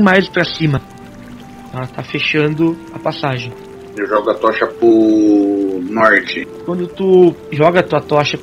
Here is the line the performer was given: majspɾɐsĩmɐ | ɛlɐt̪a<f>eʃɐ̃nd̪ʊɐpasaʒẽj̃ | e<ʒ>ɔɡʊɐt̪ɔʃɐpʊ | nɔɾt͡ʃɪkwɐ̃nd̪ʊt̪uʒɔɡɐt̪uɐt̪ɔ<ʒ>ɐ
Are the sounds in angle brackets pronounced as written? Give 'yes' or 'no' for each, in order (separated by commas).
yes, yes, no